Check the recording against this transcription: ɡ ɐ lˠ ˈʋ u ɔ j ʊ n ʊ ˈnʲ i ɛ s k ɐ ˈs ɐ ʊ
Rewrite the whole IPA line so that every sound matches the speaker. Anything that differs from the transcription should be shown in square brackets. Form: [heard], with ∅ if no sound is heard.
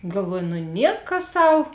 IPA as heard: ɡ ɐ lˠ ˈʋ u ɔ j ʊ n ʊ ˈnʲ i ɛ [∅] k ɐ ˈs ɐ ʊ